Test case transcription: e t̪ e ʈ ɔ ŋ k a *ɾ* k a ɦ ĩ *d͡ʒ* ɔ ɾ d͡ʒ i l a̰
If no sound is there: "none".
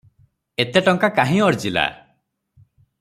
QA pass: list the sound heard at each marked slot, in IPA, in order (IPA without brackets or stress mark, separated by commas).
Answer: none, none